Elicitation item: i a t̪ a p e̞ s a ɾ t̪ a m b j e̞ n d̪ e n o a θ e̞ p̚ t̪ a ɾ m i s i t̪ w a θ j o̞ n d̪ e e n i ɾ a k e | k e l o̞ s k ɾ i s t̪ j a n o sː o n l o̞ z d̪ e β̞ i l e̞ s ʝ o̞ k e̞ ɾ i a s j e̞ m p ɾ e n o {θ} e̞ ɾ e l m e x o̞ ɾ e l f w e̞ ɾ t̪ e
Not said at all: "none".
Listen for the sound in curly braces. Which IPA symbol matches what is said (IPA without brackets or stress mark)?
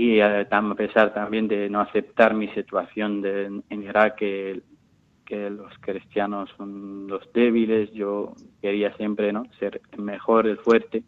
s